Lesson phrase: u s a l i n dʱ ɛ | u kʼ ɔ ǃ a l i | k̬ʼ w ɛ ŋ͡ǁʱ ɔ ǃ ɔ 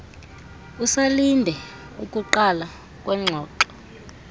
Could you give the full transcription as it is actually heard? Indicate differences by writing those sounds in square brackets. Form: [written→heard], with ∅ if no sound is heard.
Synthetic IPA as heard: u s a l i n dʱ ɛ | u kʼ [ɔ→u] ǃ a l [i→a] | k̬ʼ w ɛ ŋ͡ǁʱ [ɔ→ɔː] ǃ ɔ